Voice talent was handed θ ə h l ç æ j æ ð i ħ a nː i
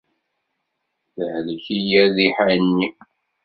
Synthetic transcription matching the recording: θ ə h l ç i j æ ð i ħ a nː i